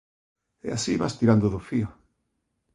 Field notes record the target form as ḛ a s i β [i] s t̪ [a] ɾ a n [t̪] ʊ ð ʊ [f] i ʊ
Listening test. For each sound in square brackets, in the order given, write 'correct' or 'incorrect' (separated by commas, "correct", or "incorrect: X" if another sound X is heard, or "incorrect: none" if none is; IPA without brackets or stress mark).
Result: incorrect: a, incorrect: i, incorrect: d̪, correct